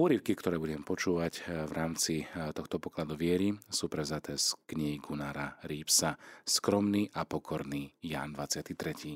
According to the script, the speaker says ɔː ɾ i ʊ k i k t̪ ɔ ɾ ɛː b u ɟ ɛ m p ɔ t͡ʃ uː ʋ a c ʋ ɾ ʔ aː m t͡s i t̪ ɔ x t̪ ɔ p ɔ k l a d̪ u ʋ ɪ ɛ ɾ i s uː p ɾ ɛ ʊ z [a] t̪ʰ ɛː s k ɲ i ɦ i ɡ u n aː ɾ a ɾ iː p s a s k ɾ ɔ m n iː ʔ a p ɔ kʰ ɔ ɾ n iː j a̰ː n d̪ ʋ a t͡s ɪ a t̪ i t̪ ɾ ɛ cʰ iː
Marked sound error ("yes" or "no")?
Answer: no